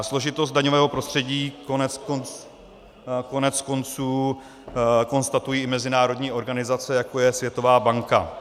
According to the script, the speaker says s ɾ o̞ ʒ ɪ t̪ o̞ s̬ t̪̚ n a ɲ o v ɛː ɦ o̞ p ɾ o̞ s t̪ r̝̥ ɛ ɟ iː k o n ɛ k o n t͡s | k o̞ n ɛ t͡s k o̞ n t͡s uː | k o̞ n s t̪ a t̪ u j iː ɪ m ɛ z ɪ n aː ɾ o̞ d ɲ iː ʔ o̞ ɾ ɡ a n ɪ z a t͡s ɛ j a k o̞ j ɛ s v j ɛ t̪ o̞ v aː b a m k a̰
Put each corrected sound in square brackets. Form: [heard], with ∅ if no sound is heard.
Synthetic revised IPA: s [l] o̞ ʒ ɪ t̪ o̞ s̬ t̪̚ [d] a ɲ o v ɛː ɦ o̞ p ɾ o̞ s t̪ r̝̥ ɛ ɟ iː k o n ɛ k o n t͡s | k o̞ n ɛ t͡s k o̞ n t͡s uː | k o̞ n s t̪ a t̪ u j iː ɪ m ɛ z ɪ n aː ɾ o̞ d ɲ iː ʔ o̞ ɾ ɡ a n ɪ z a t͡s ɛ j a k o̞ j ɛ s v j ɛ t̪ o̞ v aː b a [ŋ] k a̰

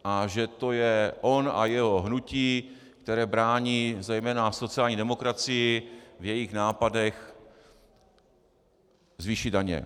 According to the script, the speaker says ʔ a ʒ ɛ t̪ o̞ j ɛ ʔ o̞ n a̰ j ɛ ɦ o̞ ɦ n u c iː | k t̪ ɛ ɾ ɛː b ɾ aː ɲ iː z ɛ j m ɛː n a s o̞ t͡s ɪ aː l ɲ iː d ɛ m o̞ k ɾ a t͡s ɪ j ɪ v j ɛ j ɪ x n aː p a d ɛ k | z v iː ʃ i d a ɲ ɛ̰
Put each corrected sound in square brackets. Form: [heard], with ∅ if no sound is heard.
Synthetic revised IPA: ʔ a ʒ ɛ t̪ o̞ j ɛ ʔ o̞ n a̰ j ɛ ɦ o̞ ɦ n u c iː | k t̪ ɛ ɾ ɛː b ɾ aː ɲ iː z ɛ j m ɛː n a s o̞ t͡s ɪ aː l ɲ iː d ɛ m o̞ k ɾ a t͡s ɪ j ɪ v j ɛ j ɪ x n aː p a d ɛ [x] | z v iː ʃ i d a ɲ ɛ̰

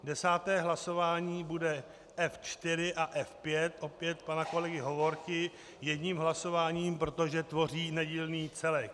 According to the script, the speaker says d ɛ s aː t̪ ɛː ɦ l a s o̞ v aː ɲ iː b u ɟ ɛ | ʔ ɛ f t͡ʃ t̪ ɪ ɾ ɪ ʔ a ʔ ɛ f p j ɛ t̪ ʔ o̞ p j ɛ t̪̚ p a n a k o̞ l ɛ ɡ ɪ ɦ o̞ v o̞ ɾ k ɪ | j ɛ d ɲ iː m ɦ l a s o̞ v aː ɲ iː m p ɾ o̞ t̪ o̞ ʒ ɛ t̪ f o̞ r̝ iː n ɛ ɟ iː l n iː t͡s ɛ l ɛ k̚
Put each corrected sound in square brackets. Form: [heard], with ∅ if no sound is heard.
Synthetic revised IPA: d ɛ s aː t̪ ɛː ɦ l a s o̞ v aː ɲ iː b u [d] ɛ | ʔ ɛ f t͡ʃ t̪ ɪ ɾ ɪ ʔ a ʔ ɛ f p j ɛ t̪ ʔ o̞ p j ɛ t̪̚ p a n a k o̞ l ɛ ɡ ɪ ɦ o̞ v o̞ ɾ k ɪ | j ɛ d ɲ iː m ɦ l a s o̞ v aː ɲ iː m p ɾ o̞ t̪ o̞ ʒ ɛ t̪ [v] o̞ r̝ iː n ɛ ɟ iː l n iː t͡s ɛ l ɛ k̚

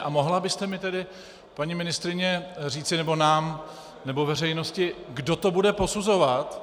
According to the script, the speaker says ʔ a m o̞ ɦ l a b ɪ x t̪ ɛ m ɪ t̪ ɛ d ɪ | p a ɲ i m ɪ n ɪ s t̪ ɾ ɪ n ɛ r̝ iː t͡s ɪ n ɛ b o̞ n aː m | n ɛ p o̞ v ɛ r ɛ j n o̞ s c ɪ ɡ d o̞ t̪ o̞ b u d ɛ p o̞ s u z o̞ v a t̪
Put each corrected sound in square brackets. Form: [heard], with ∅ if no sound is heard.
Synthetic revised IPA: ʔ a m o̞ ɦ l a b ɪ [s] t̪ ɛ m ɪ t̪ ɛ d ɪ | p a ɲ i m ɪ n ɪ s t̪ ɾ ɪ [ɲ] ɛ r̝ iː t͡s ɪ n ɛ b o̞ n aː m | n ɛ [b] o̞ v ɛ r ɛ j n o̞ s c ɪ ɡ d o̞ t̪ o̞ b u d ɛ p o̞ s u z o̞ v a t̪

